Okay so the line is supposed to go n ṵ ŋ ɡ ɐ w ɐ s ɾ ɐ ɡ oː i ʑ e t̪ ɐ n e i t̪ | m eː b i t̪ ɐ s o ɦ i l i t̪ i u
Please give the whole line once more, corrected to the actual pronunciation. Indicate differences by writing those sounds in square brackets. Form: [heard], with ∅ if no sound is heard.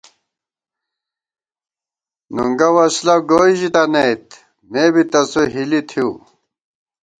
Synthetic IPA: n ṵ ŋ ɡ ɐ w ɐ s [l] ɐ ɡ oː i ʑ [i] t̪ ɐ n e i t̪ | m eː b i t̪ ɐ s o ɦ i l i [t̪ʰ] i u